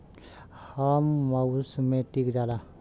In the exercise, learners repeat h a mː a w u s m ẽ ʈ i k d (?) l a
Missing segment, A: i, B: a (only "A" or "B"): B